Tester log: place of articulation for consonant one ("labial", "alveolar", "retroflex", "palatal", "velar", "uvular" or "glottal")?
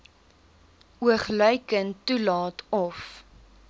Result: uvular